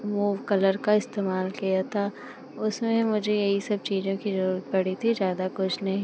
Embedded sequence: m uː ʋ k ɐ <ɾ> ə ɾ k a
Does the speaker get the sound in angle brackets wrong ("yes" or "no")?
yes